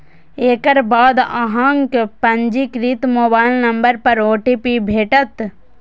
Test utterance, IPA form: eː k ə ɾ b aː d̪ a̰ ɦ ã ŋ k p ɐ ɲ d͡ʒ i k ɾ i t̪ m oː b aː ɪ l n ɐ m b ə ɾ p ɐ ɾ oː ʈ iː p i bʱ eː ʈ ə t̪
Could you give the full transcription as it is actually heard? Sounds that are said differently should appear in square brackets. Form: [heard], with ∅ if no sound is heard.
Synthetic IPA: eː k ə ɾ b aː d̪ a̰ ɦ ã ŋ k p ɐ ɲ d͡ʒ i k ɾ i t̪ m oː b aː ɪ l n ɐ m b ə ɾ p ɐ ɾ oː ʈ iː p i bʱ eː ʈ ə t̪